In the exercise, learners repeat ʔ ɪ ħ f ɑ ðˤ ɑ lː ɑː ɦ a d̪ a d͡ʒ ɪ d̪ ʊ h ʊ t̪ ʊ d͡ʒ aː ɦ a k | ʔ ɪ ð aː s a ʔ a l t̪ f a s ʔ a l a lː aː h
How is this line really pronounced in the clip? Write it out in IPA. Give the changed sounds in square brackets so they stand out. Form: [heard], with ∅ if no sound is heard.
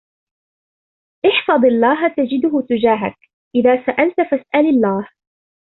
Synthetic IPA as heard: ʔ ɪ ħ f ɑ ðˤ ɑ lː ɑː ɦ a [t̪] a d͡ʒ ɪ d̪ ʊ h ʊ t̪ ʊ d͡ʒ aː ɦ a k | ʔ ɪ ð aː s a ʔ a l t̪ f a s ʔ a l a lː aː h